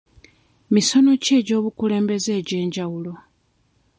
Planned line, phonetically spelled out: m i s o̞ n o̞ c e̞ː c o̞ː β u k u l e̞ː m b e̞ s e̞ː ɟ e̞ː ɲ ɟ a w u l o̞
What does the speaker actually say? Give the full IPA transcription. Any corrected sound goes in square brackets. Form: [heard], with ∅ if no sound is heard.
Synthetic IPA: m i s o̞ n o̞ c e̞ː [ɟ] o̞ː β u k u l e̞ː m b e̞ [z] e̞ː ɟ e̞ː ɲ ɟ a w u l o̞